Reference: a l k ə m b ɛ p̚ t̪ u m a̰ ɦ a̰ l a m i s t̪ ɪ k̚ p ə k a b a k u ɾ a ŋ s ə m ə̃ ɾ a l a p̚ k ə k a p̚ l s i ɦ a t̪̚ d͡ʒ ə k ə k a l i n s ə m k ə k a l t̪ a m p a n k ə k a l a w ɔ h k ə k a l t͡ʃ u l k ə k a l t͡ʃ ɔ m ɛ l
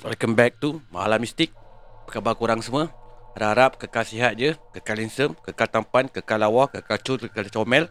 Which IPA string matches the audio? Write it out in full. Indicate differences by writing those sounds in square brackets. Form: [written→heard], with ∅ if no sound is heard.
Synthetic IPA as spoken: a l k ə m b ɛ [p̚→k̚] t̪ u m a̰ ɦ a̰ l a m i s t̪ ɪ k̚ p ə k a b a k u ɾ a ŋ s ə m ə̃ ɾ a [l→ɾ] a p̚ k ə k a [p̚→∅] l s i ɦ a t̪̚ d͡ʒ ə k ə k a l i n s ə m k ə k a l t̪ a m p a n k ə k a l a w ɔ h k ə k a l t͡ʃ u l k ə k a l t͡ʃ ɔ m ɛ l